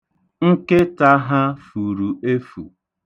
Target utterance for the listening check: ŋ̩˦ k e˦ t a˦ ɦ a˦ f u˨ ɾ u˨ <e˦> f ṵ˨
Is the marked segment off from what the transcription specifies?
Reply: no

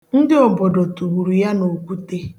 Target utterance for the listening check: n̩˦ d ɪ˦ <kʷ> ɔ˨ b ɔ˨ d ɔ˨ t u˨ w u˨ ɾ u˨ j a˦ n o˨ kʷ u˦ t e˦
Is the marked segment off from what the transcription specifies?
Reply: yes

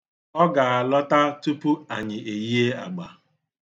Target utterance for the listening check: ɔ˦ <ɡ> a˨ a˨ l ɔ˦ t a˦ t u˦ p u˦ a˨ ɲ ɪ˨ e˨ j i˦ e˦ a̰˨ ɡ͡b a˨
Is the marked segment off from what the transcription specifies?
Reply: no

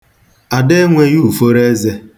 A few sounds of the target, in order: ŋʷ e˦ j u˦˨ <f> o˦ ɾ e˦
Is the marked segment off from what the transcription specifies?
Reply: no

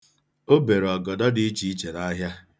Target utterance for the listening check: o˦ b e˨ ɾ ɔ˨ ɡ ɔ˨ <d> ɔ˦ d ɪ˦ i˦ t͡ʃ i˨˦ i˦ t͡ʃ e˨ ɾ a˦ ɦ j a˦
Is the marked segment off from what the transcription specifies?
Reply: no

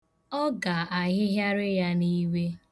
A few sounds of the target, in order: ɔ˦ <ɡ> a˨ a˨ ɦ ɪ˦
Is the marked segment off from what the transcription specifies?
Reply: no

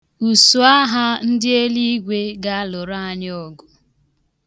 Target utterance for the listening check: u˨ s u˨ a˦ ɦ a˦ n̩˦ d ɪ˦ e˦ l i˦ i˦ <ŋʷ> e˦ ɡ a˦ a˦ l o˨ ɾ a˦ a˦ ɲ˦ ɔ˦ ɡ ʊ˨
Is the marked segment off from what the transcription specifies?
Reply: yes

